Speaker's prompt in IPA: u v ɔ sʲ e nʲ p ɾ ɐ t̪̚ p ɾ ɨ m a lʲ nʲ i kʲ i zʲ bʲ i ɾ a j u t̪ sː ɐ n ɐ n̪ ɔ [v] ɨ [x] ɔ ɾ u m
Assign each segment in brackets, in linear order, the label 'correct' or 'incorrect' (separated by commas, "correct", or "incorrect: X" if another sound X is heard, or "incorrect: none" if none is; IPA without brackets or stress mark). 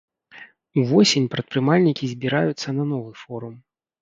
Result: correct, incorrect: f